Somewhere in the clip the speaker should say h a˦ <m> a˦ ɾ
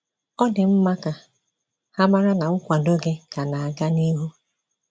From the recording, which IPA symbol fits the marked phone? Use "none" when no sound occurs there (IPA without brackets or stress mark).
m